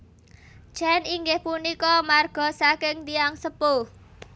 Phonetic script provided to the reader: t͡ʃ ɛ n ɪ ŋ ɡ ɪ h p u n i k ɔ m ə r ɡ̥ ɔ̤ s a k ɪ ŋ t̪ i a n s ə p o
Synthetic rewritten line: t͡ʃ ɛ n i ŋ ɡ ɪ h p u n i k ɔ m a r ɡ̥ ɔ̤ s a k ɪ ŋ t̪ i a ŋ s ə p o